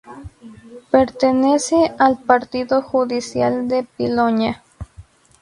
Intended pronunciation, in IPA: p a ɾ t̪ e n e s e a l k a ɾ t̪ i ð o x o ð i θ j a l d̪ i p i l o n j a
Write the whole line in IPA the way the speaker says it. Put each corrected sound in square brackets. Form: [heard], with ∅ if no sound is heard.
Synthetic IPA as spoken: p [e] ɾ t̪ e n e s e a l [p] a ɾ t̪ i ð o x [u] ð i [s] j a l d̪ [e] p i l o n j a